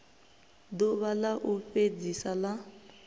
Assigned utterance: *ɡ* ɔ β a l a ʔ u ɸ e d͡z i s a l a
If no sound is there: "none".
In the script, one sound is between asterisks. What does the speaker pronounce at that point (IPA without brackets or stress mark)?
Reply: d